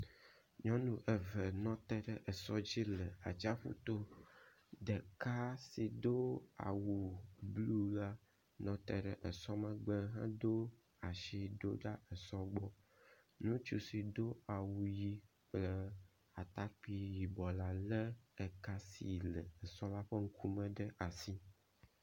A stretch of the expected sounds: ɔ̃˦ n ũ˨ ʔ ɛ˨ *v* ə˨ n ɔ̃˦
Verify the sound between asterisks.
correct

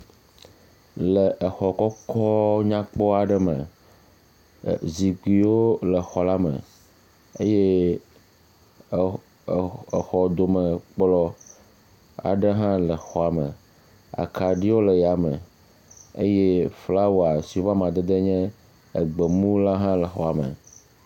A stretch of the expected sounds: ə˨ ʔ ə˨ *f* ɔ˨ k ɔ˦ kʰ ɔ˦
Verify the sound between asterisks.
incorrect: x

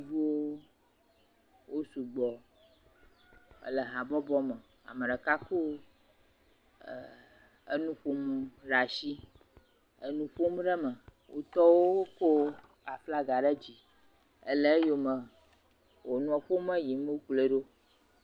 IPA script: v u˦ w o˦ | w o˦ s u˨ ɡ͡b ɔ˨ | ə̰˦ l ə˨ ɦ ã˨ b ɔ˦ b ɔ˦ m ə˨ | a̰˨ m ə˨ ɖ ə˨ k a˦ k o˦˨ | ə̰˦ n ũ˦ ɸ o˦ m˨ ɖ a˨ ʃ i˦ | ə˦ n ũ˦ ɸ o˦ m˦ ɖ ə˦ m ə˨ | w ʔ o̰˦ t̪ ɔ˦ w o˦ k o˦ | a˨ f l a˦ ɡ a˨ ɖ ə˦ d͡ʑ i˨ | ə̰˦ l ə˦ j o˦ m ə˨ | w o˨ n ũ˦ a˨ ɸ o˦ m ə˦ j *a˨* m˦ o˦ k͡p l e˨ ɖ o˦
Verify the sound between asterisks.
incorrect: i˨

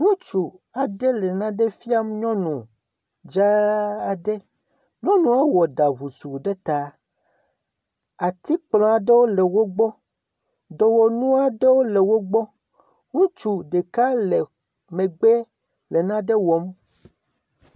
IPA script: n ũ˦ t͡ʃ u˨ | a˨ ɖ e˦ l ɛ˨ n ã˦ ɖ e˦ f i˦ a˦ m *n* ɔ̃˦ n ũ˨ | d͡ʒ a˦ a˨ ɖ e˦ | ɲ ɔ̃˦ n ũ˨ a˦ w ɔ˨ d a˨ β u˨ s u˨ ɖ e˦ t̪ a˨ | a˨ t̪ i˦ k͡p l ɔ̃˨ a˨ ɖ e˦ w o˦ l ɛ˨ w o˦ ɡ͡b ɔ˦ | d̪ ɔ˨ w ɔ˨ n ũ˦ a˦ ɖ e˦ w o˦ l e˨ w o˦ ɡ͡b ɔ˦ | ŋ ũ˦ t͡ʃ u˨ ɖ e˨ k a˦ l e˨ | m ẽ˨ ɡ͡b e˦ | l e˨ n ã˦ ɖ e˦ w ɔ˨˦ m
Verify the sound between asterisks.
incorrect: ɲ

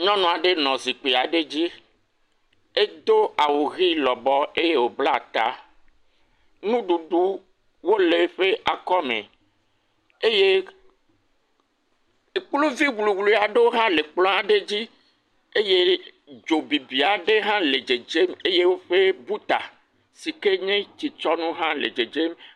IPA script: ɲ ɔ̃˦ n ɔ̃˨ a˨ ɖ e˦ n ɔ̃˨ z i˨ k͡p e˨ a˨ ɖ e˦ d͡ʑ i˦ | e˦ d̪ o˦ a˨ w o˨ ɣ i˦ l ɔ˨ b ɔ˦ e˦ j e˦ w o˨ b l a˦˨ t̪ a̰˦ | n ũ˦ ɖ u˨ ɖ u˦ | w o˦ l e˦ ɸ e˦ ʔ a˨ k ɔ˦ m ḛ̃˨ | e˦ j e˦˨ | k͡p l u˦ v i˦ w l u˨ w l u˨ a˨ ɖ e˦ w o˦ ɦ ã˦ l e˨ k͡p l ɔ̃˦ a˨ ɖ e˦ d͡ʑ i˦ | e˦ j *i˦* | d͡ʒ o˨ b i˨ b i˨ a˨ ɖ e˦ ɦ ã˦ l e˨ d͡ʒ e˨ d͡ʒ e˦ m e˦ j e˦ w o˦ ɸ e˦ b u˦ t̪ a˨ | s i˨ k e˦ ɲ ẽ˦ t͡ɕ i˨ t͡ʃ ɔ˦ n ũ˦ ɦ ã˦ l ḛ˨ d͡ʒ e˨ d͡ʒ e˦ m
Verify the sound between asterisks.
incorrect: e˦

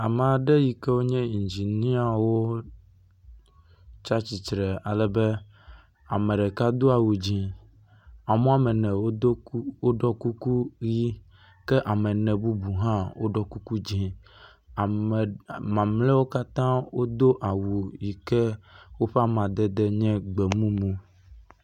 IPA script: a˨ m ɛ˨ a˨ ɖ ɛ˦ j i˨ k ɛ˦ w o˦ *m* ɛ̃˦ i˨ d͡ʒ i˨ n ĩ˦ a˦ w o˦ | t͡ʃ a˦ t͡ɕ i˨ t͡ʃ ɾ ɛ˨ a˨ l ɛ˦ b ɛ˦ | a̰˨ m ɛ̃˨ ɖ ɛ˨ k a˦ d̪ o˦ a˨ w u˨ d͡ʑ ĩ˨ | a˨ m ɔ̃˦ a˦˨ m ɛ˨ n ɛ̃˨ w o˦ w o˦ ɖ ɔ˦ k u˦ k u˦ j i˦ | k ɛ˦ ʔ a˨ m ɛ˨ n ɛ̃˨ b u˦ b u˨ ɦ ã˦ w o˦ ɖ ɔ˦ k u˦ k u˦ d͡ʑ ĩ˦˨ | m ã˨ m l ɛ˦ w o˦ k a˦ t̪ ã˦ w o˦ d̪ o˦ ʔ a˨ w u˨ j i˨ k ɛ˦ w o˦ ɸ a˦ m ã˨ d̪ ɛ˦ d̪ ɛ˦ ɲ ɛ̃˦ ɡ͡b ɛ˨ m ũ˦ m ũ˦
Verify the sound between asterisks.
incorrect: ɲ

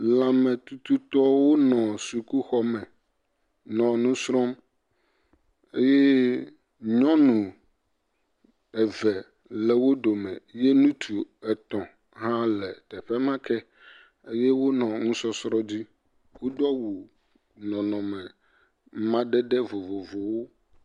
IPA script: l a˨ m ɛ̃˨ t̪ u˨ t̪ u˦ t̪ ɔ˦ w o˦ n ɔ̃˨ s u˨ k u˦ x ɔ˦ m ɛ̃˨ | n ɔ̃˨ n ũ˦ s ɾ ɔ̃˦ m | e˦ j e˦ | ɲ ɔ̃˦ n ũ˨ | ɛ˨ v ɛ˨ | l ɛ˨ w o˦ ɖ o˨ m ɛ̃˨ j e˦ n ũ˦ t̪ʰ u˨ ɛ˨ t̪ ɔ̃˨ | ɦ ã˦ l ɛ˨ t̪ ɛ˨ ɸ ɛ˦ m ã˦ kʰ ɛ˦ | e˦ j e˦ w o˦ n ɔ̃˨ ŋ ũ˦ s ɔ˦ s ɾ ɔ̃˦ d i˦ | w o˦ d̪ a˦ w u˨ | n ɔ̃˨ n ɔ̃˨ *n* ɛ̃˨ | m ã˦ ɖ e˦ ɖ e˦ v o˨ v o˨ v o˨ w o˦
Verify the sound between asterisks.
incorrect: m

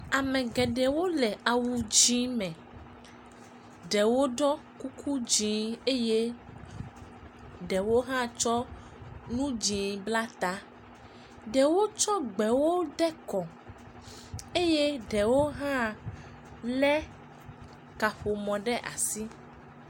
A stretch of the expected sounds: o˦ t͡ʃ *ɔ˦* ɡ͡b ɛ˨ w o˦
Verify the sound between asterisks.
correct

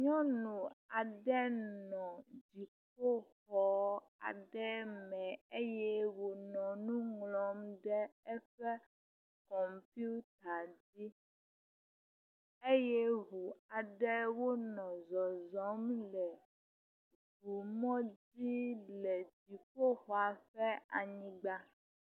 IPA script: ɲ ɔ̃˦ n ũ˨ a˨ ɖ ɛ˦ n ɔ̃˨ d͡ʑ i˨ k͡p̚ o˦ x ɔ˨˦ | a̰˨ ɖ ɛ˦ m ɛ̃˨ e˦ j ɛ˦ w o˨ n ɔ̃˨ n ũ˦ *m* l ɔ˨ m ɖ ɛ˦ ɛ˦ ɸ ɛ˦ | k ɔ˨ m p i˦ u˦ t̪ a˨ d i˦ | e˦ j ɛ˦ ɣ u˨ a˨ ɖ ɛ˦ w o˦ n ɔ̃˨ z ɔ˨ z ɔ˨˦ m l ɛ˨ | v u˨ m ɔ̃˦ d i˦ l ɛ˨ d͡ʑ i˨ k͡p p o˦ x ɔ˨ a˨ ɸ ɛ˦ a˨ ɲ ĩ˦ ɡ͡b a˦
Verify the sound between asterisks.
incorrect: ŋ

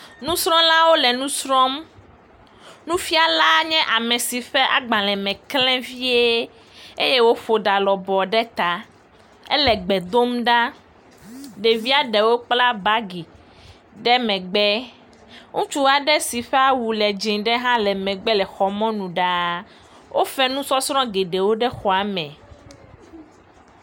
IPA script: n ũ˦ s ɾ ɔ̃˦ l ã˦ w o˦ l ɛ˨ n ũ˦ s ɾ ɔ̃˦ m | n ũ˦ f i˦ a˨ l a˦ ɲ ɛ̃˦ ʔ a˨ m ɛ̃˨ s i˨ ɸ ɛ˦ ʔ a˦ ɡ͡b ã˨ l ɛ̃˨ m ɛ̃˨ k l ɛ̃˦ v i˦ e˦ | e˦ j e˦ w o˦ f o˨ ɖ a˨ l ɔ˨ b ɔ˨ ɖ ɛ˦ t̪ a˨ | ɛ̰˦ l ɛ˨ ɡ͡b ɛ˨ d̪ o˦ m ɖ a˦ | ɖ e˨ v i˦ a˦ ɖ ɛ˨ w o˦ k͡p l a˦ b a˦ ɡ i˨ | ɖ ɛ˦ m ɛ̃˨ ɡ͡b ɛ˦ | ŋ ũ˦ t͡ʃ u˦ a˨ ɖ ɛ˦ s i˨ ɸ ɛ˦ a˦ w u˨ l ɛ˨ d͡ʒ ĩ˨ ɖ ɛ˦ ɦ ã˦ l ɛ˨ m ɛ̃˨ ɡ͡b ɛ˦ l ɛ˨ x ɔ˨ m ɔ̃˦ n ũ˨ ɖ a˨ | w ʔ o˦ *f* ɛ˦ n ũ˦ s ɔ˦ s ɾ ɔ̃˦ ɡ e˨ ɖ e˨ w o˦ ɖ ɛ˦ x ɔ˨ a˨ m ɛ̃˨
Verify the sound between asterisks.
correct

